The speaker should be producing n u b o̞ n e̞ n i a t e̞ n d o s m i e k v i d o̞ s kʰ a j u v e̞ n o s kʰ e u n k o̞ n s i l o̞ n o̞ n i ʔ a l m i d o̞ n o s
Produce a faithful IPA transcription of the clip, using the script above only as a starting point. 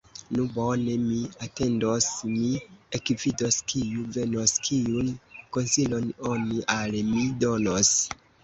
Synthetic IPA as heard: n u b o̞ n e̞ m i a t e̞ n d o s m i e k v i d o̞ s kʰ i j u v e̞ n o s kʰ i u n k o̞ n s i l o̞ n o̞ n i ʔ a l m i d o̞ n o s